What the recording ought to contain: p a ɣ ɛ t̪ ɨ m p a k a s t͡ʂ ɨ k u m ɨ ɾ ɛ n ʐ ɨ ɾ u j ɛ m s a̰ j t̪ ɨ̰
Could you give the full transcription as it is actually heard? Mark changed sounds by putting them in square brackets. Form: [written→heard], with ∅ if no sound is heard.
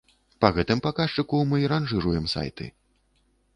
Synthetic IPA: p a ɣ ɛ t̪ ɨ m p a k a [s→ʂ] t͡ʂ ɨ k u m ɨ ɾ [ɛ→a] n ʐ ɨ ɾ u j ɛ m s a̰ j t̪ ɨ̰